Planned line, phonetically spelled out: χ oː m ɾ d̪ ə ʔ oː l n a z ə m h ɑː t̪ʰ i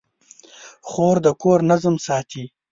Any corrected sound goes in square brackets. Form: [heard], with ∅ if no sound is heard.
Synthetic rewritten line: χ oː [∅] ɾ d̪ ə [k] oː [ɾ] n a z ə m [s] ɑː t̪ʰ i